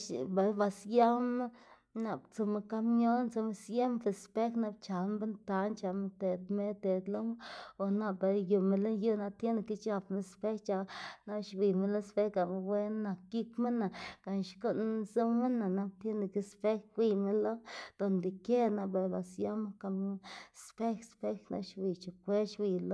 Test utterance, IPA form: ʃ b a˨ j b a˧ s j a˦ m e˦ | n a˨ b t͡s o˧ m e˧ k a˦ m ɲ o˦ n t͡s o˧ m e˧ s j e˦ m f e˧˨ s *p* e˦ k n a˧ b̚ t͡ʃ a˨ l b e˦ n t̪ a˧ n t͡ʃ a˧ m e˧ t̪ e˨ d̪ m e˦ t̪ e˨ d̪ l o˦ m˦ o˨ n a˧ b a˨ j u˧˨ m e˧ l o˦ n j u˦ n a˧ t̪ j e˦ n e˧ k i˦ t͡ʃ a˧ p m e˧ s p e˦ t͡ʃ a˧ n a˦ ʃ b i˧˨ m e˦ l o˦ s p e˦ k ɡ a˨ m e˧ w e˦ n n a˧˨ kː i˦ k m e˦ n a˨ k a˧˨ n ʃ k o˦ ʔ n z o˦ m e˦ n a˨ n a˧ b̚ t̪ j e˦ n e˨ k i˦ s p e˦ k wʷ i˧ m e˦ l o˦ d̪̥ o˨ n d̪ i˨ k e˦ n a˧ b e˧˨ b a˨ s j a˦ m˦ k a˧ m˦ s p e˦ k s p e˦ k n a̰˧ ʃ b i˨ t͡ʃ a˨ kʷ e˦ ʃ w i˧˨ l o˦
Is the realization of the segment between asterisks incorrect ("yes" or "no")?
no